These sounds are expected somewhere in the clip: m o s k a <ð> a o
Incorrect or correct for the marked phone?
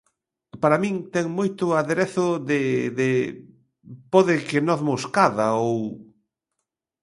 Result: correct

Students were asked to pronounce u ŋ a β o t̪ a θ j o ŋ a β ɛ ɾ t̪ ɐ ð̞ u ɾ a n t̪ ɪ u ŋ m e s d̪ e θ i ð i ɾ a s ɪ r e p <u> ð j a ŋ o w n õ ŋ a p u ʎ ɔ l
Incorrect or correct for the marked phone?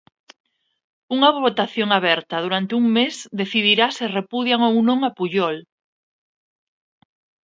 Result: correct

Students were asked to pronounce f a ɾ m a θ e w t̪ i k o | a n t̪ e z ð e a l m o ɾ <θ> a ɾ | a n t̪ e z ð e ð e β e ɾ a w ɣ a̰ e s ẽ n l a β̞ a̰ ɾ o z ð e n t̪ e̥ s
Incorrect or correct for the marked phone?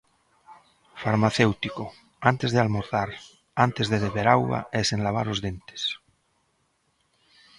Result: correct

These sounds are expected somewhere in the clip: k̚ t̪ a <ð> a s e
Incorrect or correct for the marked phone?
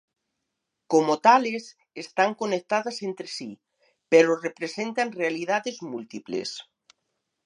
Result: correct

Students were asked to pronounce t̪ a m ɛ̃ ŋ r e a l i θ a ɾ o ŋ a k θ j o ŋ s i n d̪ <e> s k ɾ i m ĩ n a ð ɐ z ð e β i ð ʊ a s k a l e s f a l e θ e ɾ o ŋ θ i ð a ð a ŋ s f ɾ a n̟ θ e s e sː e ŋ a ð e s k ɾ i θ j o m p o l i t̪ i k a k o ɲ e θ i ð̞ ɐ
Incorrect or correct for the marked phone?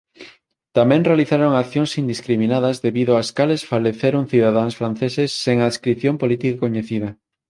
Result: incorrect: i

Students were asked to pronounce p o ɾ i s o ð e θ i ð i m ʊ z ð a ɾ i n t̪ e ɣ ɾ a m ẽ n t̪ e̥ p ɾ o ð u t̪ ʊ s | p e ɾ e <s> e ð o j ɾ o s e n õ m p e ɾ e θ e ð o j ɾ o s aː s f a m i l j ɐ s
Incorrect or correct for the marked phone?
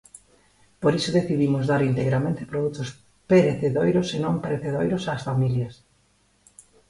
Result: incorrect: θ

